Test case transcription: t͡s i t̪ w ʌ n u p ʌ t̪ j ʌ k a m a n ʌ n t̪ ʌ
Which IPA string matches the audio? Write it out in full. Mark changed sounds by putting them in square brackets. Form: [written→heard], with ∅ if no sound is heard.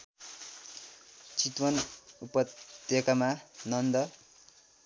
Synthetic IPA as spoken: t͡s i t̪ w ʌ n u p ʌ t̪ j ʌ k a m a n ʌ n [t̪→d̪] ʌ

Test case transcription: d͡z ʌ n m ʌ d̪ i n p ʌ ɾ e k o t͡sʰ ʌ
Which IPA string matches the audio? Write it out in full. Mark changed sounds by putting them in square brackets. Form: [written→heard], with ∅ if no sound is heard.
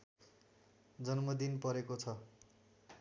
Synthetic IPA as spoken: d͡z ʌ n m ʌ d̪ i n p ʌ ɾ e k o t͡sʰ ʌ

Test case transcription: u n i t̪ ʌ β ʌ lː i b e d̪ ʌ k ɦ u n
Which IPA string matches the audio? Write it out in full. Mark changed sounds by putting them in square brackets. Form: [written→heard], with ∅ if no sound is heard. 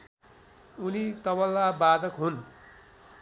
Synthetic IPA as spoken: u n i t̪ ʌ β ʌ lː [i→a] b [e→a] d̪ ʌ k ɦ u n

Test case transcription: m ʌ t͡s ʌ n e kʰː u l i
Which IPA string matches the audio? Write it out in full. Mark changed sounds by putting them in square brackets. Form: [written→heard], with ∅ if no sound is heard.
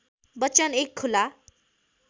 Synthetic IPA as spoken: [m→b] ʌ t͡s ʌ n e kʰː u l [i→a]

